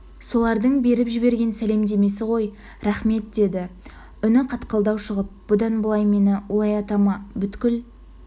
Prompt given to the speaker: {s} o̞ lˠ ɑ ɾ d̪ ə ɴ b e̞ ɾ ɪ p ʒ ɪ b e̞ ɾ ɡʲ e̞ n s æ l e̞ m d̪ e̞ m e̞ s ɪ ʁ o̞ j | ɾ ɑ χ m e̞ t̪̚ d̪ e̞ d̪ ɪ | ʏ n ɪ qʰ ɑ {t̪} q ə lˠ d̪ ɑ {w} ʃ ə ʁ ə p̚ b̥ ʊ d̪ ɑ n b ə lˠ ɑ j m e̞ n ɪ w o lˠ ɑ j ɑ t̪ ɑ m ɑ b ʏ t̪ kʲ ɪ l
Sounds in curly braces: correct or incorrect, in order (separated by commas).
correct, correct, correct